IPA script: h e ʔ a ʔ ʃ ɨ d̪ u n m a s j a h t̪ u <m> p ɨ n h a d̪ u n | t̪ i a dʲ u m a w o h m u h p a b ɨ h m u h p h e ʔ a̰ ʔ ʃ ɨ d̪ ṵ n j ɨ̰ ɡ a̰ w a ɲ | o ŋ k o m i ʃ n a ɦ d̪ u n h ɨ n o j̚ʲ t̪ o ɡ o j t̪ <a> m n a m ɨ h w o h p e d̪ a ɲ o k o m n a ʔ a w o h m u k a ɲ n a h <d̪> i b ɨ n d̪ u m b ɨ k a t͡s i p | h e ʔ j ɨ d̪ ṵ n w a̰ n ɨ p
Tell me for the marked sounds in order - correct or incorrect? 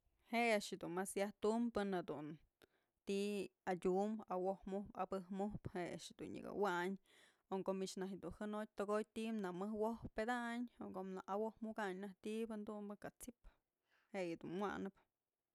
correct, incorrect: i, incorrect: t̪

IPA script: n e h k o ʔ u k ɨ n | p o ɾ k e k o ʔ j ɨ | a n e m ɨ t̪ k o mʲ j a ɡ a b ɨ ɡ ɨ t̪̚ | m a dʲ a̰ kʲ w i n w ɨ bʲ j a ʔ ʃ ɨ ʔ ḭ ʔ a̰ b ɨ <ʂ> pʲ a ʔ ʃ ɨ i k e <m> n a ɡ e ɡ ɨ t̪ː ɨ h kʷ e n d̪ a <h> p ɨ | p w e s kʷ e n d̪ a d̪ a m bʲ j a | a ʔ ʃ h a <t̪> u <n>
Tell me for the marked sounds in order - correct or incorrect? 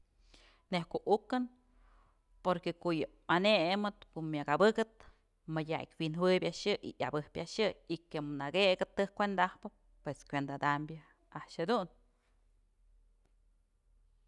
incorrect: h, correct, correct, incorrect: d̪, correct

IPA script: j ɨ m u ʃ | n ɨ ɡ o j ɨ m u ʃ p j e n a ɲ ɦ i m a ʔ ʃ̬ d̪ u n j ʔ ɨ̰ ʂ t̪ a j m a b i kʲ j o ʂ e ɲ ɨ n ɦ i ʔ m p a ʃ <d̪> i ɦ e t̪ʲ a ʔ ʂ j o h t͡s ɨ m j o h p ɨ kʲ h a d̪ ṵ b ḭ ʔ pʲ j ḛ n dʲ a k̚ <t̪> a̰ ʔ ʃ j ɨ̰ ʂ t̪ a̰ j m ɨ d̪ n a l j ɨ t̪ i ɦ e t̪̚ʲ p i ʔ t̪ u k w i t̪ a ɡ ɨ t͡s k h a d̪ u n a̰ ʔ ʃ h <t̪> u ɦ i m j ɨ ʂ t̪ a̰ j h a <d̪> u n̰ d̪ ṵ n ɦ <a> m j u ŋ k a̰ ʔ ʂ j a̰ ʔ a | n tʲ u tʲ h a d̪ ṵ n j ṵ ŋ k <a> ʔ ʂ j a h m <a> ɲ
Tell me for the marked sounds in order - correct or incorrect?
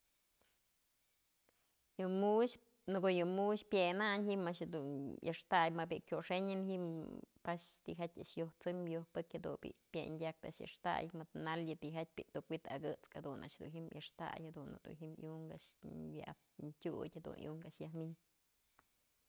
incorrect: t̪, correct, incorrect: d̪, correct, incorrect: i, correct, incorrect: i

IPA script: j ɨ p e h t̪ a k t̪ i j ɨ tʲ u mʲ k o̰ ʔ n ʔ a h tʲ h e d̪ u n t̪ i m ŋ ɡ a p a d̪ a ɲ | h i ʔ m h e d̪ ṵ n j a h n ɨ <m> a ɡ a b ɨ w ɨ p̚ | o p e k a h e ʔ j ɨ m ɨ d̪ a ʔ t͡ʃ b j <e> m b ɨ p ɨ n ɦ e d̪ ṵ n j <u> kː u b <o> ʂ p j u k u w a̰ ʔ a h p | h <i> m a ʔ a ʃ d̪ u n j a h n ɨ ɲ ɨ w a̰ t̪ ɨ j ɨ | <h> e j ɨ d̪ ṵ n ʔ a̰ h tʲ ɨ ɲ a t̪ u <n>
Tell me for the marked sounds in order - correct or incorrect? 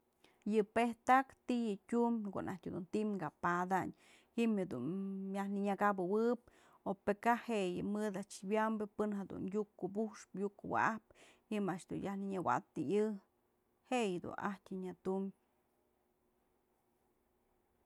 incorrect: ɲ, incorrect: a, correct, incorrect: u, correct, correct, incorrect: m

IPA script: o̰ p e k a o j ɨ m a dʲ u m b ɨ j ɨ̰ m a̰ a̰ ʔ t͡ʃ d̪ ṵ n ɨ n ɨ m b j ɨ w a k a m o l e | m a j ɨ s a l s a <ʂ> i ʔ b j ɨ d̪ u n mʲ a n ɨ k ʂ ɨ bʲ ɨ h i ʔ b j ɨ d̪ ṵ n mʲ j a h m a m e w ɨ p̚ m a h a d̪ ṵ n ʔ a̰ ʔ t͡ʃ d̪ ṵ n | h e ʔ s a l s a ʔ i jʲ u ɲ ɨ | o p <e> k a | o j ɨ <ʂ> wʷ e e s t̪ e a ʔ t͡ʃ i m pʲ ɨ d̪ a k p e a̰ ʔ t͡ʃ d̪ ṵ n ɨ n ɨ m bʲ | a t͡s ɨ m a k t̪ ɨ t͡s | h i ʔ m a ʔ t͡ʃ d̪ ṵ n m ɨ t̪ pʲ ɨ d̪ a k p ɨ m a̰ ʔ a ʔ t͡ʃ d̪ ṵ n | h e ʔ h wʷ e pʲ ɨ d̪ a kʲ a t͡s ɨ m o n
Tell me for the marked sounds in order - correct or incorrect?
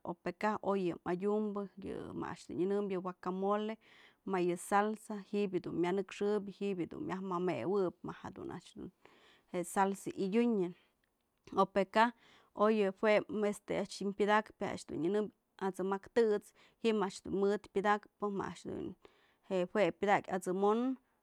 incorrect: h, correct, incorrect: h

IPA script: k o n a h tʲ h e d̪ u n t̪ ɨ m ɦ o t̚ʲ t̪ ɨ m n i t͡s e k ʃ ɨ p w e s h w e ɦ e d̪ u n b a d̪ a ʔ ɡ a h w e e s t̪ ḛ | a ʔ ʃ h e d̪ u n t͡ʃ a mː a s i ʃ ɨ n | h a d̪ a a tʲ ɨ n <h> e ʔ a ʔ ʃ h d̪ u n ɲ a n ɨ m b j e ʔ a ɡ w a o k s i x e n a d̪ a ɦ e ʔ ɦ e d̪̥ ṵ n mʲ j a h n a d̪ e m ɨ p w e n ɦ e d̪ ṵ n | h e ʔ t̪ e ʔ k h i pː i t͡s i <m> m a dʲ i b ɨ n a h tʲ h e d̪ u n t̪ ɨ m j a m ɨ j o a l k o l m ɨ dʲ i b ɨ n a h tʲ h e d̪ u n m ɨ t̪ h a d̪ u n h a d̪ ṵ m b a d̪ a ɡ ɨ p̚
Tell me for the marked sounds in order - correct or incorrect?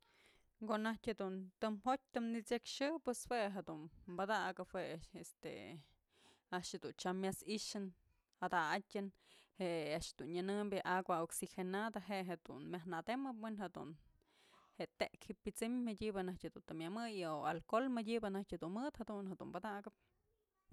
correct, correct

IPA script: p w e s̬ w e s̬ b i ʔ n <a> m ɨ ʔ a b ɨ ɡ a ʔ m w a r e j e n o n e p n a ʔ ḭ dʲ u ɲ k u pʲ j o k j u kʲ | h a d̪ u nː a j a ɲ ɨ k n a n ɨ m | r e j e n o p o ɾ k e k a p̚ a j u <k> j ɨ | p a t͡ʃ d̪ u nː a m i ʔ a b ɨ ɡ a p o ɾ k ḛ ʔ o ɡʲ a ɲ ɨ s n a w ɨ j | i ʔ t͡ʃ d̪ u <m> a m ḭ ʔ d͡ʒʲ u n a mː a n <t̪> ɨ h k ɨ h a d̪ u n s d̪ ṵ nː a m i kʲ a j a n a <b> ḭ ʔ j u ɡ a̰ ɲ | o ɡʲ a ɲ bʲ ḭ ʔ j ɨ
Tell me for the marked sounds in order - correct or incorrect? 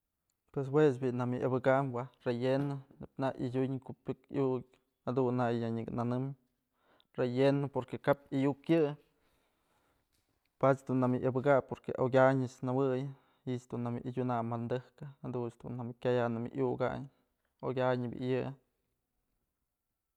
correct, correct, incorrect: n, incorrect: d̪, incorrect: m

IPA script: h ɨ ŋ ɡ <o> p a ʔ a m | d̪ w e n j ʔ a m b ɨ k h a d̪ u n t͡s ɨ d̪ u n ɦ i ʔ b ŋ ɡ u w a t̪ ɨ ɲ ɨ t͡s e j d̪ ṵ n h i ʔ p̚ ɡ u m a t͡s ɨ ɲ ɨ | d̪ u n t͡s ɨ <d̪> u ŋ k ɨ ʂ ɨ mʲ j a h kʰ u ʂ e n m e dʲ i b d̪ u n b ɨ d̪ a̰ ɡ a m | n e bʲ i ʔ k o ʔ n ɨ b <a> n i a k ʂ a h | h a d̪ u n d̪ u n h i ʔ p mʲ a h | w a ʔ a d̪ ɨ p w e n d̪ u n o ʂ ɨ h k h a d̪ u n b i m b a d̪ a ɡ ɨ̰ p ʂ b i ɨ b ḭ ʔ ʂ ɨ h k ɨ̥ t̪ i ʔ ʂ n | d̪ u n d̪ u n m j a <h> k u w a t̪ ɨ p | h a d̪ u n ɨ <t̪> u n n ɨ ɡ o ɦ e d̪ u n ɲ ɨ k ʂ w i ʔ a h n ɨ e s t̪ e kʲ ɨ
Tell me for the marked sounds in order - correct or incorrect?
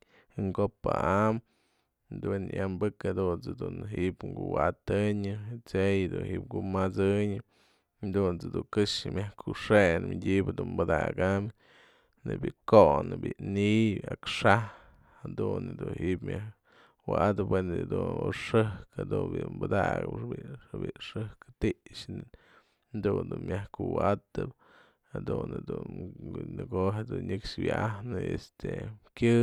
correct, correct, incorrect: i, correct, incorrect: d̪

